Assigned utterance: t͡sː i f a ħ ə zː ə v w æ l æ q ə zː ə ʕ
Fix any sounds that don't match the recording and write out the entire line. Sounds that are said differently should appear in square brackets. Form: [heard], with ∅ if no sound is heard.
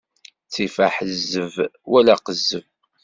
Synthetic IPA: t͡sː i f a ħ ə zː ə v w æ l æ q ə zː ə [v]